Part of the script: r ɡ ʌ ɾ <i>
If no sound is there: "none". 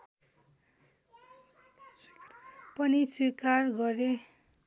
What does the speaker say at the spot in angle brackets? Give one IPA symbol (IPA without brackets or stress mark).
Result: e